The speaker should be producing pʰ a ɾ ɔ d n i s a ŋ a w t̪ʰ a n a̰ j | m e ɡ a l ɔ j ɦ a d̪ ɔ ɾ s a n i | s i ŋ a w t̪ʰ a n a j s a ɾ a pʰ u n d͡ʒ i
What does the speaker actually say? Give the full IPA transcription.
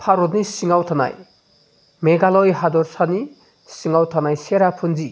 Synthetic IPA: pʰ a ɾ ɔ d n i s i ŋ a w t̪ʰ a n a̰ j | m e ɡ a l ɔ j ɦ a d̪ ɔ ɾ s a n i | s i ŋ a w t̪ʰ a n a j s e ɾ a pʰ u n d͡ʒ i